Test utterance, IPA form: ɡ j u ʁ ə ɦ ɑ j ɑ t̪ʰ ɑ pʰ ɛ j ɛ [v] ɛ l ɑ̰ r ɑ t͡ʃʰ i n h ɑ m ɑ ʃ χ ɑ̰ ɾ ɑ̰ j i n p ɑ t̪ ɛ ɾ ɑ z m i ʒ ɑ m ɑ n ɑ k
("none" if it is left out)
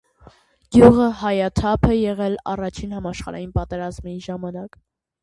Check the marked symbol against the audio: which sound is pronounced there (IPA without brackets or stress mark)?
ʁ